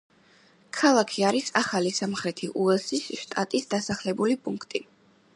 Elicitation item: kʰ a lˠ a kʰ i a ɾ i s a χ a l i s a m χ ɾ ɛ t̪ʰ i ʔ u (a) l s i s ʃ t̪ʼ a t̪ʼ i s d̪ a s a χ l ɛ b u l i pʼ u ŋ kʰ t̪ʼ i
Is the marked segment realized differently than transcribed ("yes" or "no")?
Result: yes